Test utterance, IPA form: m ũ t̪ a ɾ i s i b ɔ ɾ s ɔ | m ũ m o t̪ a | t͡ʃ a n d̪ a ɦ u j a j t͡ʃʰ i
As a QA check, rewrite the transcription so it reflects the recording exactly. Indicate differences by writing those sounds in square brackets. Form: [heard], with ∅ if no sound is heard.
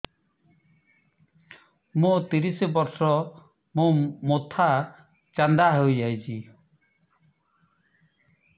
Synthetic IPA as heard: m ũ t̪ [i] ɾ i s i b ɔ ɾ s ɔ | m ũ m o [t̪ʰ] a | t͡ʃ a n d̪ a ɦ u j a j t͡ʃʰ i